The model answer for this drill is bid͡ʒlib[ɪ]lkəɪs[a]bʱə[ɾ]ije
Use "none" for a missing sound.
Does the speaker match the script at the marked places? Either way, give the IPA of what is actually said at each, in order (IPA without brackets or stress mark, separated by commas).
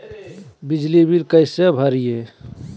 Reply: i, e, ɾ